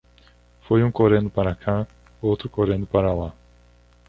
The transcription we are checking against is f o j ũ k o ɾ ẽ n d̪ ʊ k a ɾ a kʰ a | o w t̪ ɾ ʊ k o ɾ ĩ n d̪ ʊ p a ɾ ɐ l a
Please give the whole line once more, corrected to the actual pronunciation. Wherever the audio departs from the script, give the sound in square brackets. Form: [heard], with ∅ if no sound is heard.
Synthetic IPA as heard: f o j ũ k o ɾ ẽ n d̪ ʊ [p] a ɾ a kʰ a | o w t̪ ɾ ʊ k o ɾ [ẽ] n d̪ ʊ p a ɾ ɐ l a